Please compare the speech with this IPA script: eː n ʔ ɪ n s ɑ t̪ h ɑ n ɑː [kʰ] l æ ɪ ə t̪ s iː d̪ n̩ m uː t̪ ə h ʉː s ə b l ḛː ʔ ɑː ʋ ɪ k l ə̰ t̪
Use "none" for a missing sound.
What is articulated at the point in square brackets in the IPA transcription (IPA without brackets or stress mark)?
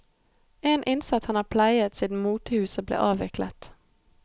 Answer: pʰ